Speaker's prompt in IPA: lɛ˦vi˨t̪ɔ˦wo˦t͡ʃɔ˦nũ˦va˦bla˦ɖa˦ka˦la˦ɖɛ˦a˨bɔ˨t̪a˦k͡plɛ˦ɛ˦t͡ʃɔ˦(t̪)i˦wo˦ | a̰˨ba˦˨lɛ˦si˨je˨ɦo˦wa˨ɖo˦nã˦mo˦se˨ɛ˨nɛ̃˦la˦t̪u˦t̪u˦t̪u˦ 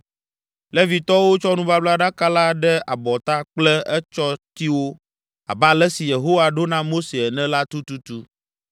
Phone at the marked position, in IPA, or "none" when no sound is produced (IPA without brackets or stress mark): t̪